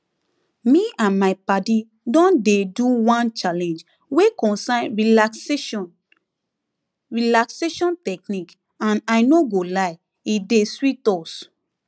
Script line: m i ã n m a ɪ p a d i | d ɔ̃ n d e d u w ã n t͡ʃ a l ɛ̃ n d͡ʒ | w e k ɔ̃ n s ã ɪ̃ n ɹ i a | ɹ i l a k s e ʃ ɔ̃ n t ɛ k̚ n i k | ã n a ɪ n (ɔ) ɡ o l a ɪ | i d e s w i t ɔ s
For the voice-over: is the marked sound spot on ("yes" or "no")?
no